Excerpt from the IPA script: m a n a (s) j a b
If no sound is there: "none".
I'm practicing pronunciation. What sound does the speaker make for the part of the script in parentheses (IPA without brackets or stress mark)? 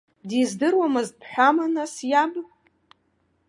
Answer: s